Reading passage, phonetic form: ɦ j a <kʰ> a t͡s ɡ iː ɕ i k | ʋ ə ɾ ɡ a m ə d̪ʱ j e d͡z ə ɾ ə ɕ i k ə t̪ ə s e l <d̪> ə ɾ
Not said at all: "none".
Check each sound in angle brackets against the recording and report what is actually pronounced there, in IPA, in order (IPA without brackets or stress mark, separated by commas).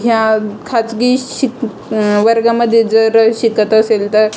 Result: kʰ, t̪